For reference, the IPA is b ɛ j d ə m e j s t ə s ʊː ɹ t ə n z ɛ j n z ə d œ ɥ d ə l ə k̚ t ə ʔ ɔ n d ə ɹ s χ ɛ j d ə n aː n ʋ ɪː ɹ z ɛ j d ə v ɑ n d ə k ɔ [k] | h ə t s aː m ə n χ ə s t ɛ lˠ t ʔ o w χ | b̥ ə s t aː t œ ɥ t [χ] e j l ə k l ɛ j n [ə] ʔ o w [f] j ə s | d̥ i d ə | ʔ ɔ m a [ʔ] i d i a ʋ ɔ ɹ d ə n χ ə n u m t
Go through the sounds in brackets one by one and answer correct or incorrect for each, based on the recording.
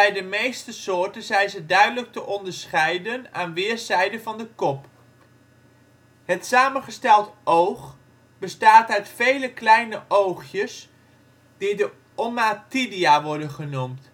incorrect: p, incorrect: f, correct, incorrect: χ, incorrect: t

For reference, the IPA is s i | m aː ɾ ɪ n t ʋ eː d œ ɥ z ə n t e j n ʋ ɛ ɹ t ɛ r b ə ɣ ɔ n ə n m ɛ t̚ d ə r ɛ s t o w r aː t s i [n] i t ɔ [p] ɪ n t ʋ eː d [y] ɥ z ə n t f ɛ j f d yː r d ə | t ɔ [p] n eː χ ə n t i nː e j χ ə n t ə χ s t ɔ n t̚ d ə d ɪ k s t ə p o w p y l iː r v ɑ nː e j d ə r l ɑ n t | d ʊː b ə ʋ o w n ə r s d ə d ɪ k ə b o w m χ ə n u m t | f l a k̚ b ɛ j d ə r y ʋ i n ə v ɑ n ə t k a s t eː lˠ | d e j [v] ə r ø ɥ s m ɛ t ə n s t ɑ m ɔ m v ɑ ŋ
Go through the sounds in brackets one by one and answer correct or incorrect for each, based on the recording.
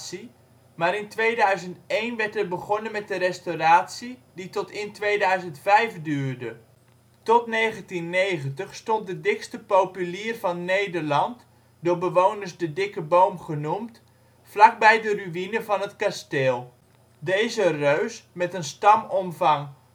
incorrect: d, incorrect: t, incorrect: œ, incorrect: t, incorrect: z

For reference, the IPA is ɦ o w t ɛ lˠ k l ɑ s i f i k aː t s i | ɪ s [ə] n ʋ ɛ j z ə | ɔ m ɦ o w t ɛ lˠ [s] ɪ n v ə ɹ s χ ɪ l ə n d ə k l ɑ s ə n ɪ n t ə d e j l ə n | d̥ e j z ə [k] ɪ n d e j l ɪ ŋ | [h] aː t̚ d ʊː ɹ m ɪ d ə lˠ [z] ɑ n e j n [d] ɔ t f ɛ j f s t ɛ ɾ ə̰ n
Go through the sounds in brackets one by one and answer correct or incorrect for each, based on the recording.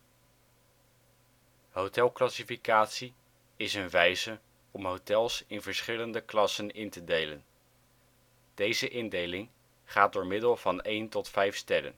correct, correct, incorrect: ʔ, incorrect: χ, incorrect: v, incorrect: t

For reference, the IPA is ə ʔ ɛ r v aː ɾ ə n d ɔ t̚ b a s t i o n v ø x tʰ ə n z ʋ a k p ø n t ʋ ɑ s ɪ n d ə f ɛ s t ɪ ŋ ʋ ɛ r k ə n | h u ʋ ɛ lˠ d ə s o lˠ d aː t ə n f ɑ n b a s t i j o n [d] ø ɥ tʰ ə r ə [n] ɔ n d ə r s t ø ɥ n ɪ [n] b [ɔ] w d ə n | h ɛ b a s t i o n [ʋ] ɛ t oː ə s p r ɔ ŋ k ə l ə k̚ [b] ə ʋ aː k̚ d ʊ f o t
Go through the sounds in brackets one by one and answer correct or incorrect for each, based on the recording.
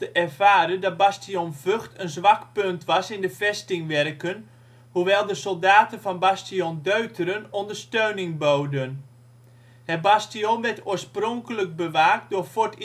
correct, correct, incorrect: ŋ, incorrect: o, correct, correct

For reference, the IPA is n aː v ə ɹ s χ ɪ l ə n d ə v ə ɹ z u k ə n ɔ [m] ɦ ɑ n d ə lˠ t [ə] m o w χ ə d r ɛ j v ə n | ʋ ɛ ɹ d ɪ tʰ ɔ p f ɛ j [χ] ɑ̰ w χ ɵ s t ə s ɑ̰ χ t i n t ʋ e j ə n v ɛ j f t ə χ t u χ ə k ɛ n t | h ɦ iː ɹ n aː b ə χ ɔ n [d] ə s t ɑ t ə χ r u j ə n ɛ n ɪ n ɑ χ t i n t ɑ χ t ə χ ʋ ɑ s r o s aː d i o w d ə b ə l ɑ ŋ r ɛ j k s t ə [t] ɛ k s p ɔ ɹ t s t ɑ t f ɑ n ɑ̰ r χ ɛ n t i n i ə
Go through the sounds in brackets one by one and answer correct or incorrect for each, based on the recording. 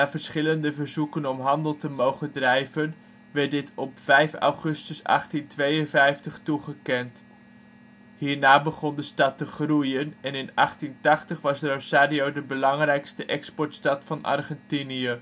correct, correct, incorrect: f, correct, incorrect: ʔ

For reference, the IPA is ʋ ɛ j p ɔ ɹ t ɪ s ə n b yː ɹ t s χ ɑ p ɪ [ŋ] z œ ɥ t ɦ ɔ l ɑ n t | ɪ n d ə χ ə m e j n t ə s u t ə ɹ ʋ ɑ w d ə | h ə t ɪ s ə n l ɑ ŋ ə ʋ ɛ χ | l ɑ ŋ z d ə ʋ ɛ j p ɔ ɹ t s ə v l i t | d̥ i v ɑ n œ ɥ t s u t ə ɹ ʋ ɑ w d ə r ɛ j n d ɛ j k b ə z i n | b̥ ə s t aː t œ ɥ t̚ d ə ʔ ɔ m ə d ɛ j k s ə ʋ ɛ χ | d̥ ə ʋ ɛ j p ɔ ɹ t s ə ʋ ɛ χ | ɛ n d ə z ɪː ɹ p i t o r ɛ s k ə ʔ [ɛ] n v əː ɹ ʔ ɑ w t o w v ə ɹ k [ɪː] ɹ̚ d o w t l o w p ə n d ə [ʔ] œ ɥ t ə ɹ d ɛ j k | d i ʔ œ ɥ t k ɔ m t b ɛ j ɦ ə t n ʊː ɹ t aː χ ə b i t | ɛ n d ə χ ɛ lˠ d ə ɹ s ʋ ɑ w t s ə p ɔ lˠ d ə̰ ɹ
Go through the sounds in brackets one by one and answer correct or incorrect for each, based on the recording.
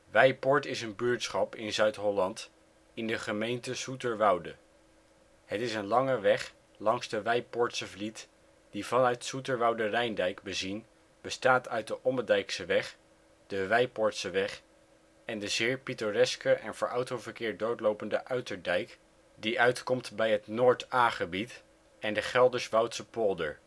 incorrect: n, correct, correct, correct

